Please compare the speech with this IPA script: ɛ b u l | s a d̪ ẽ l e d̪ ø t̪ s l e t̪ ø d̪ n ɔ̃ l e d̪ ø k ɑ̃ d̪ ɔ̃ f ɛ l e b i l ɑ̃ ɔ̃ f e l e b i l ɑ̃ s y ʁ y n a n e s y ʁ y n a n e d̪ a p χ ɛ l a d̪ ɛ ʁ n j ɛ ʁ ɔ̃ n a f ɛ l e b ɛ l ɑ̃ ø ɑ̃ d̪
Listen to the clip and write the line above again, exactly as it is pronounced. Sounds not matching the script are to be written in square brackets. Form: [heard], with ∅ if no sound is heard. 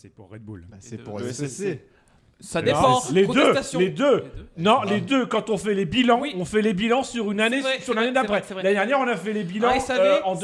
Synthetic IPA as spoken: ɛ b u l | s a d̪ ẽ l e d̪ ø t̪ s l e [d̪] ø [∅] n ɔ̃ l e d̪ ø k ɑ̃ [t̪] ɔ̃ f ɛ l e b i l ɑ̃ ɔ̃ f [ɛ] l e b i l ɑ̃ s y ʁ y n a n e s y ʁ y n a n e d̪ a p χ ɛ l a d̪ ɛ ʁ n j ɛ ʁ ɔ̃ n a f ɛ l e b [i] l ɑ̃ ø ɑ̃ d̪